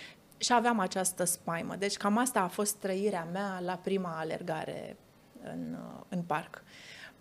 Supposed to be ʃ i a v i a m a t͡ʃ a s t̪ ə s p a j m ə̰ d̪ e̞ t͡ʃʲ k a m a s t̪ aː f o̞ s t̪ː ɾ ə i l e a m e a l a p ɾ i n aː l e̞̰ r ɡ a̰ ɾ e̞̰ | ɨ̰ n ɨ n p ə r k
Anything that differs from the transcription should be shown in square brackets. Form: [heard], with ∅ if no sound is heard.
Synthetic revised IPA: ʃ i a v [e] a m a t͡ʃ a s t̪ ə s p a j m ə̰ d̪ e̞ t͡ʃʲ k a m a s t̪ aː f o̞ s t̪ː ɾ ə i [ɾ] e a m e a l a p ɾ i [m] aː l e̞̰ r ɡ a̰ ɾ e̞̰ | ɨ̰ n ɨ n p [a] r k